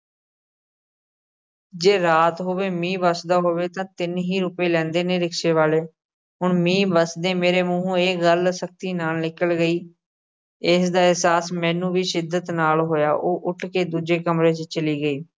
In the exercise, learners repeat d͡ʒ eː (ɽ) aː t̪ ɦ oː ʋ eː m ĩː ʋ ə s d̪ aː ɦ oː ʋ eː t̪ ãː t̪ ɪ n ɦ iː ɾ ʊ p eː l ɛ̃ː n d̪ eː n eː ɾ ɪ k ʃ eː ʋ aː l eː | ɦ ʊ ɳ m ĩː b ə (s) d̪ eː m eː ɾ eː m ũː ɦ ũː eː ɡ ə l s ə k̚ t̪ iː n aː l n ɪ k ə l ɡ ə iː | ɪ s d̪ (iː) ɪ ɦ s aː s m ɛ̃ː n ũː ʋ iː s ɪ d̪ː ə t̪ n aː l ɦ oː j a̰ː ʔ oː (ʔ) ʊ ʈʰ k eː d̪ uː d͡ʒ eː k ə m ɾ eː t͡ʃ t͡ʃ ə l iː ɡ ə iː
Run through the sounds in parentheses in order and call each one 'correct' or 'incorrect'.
incorrect: ɾ, correct, incorrect: aː, correct

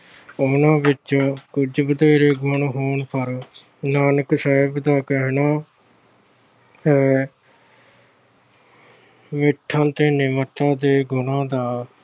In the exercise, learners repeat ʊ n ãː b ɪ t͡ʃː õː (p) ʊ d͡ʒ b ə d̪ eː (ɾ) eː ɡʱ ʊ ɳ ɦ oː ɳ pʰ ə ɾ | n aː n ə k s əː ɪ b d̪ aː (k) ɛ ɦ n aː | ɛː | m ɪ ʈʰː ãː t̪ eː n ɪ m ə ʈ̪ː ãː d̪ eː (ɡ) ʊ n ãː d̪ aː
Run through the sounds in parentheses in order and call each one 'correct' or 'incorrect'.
incorrect: k, correct, correct, correct

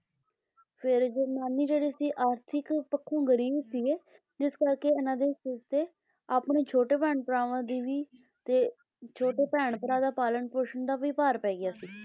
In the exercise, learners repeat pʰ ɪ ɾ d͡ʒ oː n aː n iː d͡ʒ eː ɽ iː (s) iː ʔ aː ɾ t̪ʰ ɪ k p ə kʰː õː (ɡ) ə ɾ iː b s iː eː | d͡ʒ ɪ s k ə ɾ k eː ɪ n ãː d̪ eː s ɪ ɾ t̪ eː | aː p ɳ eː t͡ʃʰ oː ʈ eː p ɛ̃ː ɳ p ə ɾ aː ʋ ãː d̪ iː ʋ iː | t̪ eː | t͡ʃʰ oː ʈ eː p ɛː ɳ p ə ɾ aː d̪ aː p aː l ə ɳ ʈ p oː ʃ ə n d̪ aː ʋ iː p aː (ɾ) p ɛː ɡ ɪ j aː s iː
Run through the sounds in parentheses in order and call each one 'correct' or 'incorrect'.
correct, correct, correct

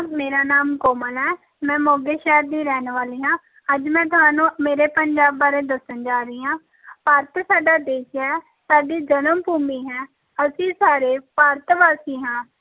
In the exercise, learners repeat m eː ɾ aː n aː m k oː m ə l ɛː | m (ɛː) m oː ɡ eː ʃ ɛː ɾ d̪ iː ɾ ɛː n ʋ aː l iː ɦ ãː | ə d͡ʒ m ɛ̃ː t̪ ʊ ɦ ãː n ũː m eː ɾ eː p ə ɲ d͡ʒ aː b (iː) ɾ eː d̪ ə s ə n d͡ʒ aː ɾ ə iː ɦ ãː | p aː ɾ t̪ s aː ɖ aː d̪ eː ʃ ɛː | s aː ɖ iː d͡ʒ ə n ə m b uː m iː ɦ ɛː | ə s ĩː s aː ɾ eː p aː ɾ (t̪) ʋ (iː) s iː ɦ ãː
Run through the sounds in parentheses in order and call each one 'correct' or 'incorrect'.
incorrect: ɛ̃ː, incorrect: aː, correct, incorrect: aː

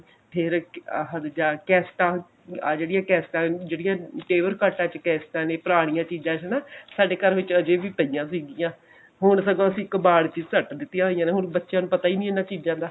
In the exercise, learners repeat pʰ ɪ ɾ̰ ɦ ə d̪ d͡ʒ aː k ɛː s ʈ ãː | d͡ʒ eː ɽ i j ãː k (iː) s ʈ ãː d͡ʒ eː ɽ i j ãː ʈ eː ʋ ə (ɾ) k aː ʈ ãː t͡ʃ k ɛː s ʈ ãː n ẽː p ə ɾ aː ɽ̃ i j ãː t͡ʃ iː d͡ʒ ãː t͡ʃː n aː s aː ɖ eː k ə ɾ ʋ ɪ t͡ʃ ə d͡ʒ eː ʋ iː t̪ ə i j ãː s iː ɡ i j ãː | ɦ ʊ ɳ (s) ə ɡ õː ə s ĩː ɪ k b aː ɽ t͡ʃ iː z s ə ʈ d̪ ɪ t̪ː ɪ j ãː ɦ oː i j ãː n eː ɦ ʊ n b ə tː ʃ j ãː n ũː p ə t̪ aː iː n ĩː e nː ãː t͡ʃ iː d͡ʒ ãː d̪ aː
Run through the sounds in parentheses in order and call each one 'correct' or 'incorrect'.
incorrect: ɛː, correct, correct

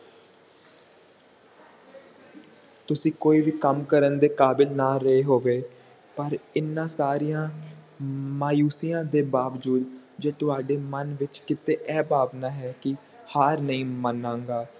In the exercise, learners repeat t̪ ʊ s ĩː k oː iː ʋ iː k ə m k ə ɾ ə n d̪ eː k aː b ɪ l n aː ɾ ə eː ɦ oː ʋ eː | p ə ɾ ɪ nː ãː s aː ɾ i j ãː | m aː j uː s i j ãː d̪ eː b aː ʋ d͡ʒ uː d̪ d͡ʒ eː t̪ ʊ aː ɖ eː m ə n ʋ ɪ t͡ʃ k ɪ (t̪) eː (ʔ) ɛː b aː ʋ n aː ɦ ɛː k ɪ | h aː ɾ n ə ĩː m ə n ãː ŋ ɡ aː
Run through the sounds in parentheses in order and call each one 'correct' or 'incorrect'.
correct, correct

